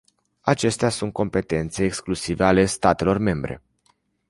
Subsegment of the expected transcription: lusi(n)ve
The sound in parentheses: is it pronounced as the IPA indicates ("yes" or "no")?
no